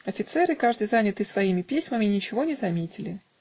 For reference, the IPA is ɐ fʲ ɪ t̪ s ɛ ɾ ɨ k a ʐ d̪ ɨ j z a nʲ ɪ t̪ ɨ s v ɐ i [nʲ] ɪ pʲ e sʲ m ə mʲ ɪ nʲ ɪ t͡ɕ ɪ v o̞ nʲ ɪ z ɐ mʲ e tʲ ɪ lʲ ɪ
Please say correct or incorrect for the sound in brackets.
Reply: incorrect